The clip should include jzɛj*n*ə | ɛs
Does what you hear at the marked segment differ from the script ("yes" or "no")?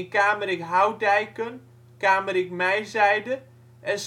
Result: yes